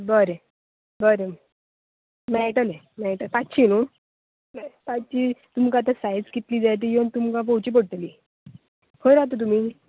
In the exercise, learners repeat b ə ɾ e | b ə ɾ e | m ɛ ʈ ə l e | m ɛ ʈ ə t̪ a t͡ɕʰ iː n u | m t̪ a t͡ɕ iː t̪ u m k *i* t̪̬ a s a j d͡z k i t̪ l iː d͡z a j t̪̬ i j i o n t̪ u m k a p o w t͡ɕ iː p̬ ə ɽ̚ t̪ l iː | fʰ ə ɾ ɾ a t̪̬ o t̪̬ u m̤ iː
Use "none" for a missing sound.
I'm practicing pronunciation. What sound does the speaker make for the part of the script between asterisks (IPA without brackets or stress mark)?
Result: a